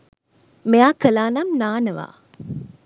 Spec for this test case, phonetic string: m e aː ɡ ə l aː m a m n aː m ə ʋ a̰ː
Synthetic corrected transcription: m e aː k ə l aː n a m n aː n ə ʋ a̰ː